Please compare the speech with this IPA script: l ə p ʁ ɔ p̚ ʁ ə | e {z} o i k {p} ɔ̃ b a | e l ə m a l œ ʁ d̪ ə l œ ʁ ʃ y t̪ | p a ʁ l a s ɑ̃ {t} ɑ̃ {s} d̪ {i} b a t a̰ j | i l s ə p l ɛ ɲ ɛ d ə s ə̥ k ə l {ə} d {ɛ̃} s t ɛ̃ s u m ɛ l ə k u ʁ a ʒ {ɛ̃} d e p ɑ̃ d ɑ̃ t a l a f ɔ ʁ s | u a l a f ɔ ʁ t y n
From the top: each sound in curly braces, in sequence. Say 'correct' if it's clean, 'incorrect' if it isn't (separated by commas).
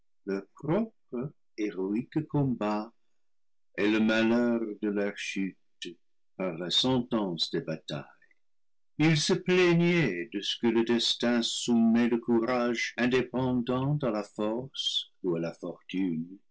incorrect, incorrect, correct, correct, incorrect, correct, incorrect, correct